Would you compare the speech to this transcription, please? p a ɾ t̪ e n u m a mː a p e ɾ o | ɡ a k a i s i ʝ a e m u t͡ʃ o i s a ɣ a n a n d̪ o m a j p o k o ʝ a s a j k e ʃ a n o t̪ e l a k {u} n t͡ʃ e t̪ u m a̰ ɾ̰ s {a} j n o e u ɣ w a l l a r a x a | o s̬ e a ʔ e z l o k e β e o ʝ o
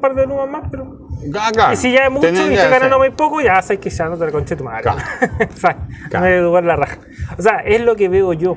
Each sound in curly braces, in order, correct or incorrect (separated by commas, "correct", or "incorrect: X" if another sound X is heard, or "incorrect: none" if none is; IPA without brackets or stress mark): incorrect: o, correct